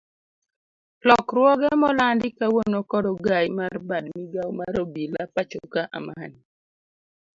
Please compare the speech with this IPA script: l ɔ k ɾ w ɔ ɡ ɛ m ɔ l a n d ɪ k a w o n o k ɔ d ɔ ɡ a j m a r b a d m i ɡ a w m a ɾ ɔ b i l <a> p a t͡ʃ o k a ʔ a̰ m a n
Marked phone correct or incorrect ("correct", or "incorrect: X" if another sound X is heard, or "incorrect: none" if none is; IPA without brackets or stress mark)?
correct